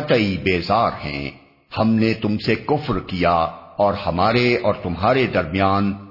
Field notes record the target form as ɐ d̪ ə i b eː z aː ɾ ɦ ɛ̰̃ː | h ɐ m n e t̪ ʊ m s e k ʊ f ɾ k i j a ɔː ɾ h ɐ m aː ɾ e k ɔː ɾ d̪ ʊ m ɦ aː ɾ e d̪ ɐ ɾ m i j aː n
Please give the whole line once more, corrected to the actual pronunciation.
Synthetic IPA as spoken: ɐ t̪ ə i b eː z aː ɾ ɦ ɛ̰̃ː | h ɐ m n e t̪ ʊ m s e k ʊ f ɾ k i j a ɔː ɾ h ɐ m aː ɾ e ɔː ɾ t̪ ʊ m ɦ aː ɾ e d̪ ɐ ɾ m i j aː n